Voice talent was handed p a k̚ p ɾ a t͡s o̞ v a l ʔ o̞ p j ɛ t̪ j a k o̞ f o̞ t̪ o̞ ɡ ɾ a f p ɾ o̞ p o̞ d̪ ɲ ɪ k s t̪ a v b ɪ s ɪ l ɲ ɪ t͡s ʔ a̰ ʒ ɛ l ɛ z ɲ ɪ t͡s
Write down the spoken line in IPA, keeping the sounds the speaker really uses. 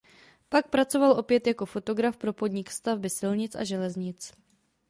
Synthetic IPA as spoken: p a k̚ p ɾ a t͡s o̞ v a l ʔ o̞ p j ɛ t̪ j a k o̞ f o̞ t̪ o̞ ɡ ɾ a f p ɾ o̞ p o̞ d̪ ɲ ɪ k s t̪ a v b ɪ s ɪ l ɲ ɪ t͡s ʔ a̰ ʒ ɛ l ɛ z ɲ ɪ t͡s